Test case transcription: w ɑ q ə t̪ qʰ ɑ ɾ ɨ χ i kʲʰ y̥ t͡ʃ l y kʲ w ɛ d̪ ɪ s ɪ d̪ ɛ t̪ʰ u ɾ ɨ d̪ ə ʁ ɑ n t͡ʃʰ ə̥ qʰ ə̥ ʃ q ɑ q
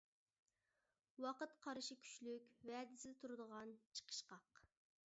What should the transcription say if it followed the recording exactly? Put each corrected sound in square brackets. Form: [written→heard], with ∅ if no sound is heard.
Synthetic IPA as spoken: w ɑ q ə t̪ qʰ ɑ ɾ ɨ [χ→ʃ] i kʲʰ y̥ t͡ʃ l y kʲ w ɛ d̪ ɪ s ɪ d̪ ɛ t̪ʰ u ɾ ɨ d̪ ə ʁ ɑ n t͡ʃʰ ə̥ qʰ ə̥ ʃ q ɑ q